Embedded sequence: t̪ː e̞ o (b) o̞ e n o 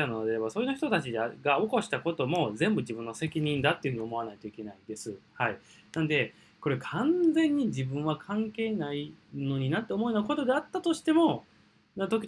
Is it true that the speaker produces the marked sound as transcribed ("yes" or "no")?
no